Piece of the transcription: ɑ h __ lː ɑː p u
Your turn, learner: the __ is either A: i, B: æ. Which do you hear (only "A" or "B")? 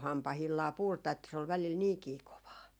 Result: A